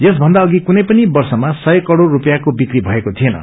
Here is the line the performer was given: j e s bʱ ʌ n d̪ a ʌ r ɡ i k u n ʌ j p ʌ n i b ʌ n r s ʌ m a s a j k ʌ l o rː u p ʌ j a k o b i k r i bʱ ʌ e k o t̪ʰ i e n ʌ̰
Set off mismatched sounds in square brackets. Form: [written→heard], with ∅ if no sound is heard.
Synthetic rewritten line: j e s bʱ ʌ n d̪ a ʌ [r→∅] ɡ i k u n ʌ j p ʌ n i b ʌ [n→∅] r s ʌ m a s [a→ʌ] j k ʌ [l→ɽ] o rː u p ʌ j a k o b i k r i bʱ ʌ e k o t̪ʰ i e n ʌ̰